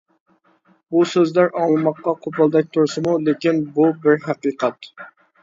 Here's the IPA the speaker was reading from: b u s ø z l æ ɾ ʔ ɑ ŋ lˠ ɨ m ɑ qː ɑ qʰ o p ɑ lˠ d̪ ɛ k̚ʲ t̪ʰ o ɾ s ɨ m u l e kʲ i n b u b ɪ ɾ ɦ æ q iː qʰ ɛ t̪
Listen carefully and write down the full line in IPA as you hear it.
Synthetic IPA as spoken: b u s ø z l æ ɾ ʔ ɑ ŋ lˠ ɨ m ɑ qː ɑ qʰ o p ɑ lˠ d̪ ɛ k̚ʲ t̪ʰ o ɾ s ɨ m u l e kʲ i n b u b ɪ ɾ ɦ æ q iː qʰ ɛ t̪